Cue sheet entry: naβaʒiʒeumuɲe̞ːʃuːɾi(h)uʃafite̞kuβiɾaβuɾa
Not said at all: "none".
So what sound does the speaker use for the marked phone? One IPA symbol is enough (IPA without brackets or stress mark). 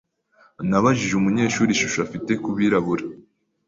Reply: ʃ